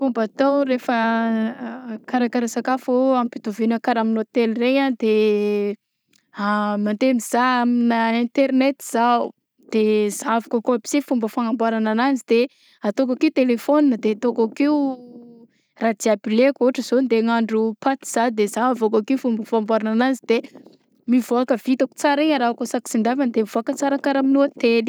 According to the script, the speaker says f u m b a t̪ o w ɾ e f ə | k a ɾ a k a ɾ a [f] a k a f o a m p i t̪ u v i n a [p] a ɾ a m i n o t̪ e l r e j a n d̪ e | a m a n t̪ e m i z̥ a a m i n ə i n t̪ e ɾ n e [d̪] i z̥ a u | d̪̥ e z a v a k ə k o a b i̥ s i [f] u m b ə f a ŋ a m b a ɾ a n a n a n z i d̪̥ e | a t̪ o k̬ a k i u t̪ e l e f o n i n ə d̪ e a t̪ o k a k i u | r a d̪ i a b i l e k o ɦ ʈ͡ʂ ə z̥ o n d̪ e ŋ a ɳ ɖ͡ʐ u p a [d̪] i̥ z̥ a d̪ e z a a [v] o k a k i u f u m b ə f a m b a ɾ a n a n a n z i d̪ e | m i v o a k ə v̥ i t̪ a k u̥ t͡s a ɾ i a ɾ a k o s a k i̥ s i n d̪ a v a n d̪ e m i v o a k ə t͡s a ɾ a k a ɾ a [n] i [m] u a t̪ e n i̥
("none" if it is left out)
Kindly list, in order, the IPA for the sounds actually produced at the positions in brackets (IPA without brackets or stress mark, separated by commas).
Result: s, k, t̪, f, t̪, v, m, n